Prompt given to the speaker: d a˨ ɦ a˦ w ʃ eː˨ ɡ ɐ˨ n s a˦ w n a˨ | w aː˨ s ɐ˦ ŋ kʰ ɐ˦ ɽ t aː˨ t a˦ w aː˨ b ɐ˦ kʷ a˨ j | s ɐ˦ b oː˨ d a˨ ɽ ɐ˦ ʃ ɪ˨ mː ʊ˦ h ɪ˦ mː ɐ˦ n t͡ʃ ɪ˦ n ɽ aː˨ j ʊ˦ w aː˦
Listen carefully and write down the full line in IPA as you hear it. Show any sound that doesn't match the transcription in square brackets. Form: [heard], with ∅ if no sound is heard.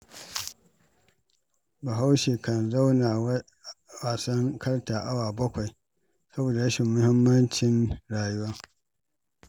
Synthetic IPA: [b] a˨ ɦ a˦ w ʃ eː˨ [k] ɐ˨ n [z] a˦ w n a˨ | w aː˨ s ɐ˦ ŋ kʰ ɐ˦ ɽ t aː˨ [ʔ] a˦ w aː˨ b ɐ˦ kʷ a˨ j | s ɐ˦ b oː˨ d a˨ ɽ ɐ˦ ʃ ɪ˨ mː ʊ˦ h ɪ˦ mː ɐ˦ n t͡ʃ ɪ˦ n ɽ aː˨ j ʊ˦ w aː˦